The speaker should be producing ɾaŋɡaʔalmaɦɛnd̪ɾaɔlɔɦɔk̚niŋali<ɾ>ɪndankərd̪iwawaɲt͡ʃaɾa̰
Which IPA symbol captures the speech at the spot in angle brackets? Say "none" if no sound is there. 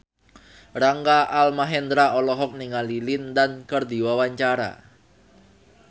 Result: l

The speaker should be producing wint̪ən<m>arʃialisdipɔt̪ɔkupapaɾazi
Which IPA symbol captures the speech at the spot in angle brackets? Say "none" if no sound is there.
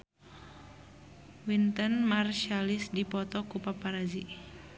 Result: m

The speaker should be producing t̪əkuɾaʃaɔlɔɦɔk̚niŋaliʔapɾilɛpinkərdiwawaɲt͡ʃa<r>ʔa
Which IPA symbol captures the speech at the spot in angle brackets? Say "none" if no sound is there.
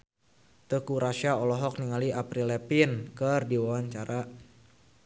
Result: ɾ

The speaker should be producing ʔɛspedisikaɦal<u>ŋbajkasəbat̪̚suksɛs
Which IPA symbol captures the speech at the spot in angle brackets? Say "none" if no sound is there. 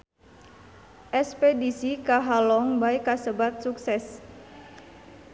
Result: ɔ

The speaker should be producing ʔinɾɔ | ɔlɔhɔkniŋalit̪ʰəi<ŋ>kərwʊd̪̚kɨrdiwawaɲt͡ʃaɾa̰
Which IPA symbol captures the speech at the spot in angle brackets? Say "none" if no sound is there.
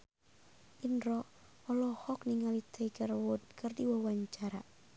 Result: none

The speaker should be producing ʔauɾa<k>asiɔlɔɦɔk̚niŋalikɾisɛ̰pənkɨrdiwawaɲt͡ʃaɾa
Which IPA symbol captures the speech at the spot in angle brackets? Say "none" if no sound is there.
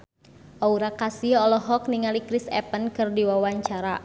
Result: k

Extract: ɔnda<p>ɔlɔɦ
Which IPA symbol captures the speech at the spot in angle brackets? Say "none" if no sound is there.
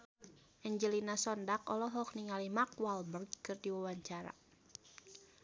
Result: k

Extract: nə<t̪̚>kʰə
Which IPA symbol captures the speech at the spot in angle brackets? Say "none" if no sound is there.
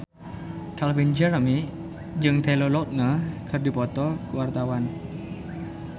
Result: none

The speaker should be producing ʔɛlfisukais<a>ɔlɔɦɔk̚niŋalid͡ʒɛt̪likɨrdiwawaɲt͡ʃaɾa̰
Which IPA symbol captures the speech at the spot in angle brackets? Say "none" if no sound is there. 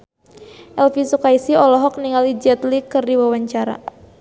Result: i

